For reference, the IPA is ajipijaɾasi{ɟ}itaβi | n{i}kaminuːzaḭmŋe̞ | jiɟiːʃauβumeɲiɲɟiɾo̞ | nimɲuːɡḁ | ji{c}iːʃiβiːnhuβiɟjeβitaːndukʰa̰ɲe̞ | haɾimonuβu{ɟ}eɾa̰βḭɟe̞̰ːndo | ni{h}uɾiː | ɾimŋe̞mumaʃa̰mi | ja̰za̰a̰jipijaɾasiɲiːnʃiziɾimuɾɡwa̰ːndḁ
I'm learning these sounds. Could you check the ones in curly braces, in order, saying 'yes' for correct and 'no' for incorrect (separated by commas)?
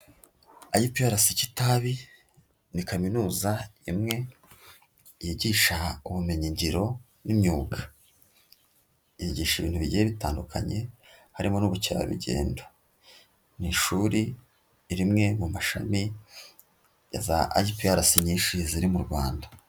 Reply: no, yes, no, no, no